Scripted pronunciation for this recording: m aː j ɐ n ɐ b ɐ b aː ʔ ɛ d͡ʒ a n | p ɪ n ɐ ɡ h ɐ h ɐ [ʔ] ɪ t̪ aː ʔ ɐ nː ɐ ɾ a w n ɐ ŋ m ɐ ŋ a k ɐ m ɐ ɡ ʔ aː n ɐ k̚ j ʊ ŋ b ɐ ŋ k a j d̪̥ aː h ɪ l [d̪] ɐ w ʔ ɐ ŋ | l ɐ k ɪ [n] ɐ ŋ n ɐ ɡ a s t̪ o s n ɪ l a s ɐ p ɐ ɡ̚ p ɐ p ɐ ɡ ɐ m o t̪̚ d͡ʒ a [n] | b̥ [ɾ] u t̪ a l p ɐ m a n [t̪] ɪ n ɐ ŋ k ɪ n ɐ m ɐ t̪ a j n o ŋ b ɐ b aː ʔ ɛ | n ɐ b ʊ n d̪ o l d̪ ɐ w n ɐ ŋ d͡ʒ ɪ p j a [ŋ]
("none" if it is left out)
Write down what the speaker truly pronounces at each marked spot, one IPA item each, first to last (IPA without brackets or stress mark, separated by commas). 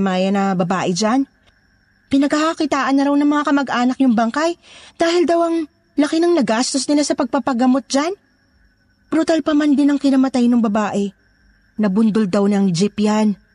k, d̪, n, n, ɾ, d̪, n